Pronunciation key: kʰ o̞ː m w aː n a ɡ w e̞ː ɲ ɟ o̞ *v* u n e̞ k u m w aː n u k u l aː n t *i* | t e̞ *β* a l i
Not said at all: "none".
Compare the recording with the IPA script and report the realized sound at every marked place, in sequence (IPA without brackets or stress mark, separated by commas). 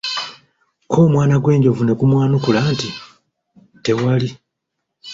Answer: v, i, w